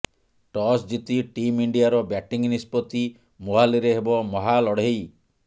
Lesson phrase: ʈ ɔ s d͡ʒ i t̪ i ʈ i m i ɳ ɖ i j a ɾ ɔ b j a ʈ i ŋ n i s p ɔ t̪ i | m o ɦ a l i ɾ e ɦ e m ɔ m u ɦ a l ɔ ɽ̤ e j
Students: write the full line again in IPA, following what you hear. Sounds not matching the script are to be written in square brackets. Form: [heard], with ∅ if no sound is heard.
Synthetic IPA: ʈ ɔ s d͡ʒ i t̪ i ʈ i m i ɳ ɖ i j a ɾ ɔ b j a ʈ i ŋ n i s p ɔ t̪ i | m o ɦ a l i ɾ e ɦ e [b] ɔ m [ɔ] ɦ a l ɔ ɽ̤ e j